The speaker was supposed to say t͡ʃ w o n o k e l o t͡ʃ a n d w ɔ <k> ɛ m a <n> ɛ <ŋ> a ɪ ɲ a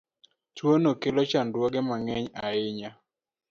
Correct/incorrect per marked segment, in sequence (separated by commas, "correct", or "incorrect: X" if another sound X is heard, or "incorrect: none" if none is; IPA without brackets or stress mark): incorrect: ɡ, incorrect: ŋ, incorrect: ɲ